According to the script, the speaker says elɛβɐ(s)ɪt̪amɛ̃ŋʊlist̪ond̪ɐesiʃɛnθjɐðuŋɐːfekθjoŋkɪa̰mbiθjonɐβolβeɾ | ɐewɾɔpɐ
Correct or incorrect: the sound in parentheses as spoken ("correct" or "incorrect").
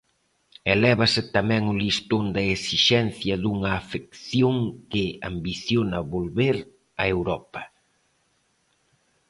correct